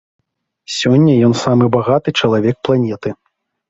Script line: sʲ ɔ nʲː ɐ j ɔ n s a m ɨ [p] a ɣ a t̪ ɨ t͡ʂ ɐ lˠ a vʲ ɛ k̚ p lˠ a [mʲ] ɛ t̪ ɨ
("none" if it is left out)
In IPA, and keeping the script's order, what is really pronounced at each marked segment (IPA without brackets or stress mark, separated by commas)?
b, nʲ